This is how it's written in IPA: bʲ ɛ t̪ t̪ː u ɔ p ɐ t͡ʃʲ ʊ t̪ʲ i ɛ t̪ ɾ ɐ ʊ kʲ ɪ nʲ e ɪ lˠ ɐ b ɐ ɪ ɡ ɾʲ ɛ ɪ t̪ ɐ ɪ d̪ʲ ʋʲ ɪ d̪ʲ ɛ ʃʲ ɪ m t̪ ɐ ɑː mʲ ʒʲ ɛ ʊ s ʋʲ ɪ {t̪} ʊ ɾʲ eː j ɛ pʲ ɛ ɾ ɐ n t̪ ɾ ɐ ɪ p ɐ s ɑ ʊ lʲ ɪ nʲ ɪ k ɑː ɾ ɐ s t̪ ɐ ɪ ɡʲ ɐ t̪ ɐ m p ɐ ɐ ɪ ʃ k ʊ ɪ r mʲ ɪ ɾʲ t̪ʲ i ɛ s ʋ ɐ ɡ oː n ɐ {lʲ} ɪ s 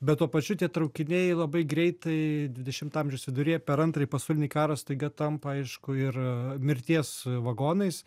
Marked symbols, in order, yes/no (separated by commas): no, no